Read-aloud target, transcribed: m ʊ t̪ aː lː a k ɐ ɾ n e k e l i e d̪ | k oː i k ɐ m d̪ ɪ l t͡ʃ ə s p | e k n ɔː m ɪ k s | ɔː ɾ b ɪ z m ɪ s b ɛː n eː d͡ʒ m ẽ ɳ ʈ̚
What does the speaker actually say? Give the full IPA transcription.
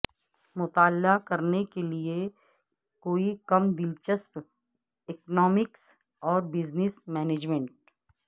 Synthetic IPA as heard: m ʊ t̪ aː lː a k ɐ ɾ n e k e l i e | k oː i k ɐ m d̪ ɪ l t͡ʃ ə s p | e k n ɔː m ɪ k s | ɔː ɾ b ɪ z n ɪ s m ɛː n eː d͡ʒ m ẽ ɳ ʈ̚